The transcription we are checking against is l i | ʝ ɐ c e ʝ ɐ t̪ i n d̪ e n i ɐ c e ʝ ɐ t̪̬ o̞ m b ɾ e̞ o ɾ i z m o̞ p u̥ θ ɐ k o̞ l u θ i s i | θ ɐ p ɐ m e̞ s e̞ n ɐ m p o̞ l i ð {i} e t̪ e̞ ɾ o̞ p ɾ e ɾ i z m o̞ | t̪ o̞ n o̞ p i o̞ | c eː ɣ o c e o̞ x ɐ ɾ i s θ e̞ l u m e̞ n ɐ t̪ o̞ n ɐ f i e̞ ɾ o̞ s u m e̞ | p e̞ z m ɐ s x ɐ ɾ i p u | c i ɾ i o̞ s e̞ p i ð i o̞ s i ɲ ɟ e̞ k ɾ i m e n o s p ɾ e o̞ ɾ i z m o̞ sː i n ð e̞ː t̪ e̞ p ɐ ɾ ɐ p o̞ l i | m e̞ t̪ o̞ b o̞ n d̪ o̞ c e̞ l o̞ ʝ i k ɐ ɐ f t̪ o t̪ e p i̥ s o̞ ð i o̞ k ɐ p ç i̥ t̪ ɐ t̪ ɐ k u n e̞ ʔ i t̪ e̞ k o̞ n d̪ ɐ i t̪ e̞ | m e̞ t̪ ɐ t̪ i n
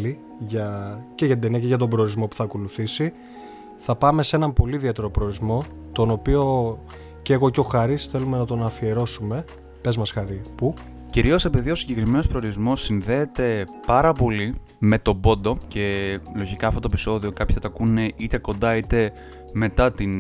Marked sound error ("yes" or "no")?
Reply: no